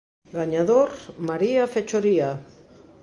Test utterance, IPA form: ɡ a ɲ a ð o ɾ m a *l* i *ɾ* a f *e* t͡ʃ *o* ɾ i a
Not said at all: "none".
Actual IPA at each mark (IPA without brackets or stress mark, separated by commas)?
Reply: ɾ, none, e, o